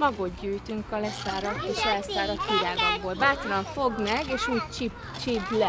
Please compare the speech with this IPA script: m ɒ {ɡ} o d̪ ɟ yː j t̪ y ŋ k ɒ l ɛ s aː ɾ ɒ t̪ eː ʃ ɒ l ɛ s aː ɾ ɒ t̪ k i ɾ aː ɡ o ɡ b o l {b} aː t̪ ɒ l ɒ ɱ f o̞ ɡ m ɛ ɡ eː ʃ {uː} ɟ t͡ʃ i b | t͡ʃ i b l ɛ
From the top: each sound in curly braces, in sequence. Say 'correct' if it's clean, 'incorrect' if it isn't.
correct, correct, correct

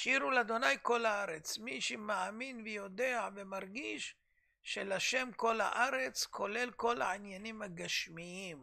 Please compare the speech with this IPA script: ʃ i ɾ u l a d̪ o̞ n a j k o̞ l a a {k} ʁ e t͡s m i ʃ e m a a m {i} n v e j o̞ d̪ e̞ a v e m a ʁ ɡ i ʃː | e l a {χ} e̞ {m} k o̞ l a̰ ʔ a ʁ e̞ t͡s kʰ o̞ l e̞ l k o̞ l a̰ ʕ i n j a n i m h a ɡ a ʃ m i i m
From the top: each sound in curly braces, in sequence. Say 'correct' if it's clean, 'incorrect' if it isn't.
incorrect: none, correct, incorrect: ʃ, correct

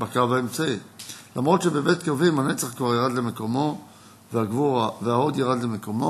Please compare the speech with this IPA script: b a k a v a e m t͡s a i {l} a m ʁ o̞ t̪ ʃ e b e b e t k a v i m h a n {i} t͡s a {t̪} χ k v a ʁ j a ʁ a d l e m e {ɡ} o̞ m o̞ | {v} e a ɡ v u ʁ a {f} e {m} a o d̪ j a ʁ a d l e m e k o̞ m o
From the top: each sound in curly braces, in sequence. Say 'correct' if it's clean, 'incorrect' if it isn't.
correct, incorrect: e, incorrect: none, incorrect: k, correct, incorrect: v, incorrect: none

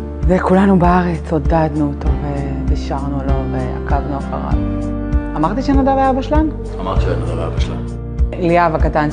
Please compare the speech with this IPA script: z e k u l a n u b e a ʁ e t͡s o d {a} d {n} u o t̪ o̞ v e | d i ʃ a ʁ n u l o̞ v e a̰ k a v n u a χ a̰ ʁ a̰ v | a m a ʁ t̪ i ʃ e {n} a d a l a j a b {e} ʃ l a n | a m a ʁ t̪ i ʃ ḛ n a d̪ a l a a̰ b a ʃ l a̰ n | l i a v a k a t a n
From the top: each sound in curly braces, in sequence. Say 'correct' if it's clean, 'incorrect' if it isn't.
correct, correct, correct, incorrect: a

